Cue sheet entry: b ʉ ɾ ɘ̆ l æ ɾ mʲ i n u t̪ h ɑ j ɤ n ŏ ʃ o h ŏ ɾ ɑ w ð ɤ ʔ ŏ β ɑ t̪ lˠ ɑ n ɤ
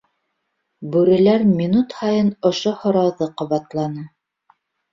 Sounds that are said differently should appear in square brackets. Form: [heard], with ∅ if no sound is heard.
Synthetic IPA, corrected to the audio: b ʉ ɾ ɘ̆ l æ ɾ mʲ i n u t̪ h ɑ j ɤ n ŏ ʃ o h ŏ ɾ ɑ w ð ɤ [q] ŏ β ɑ t̪ lˠ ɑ n ɤ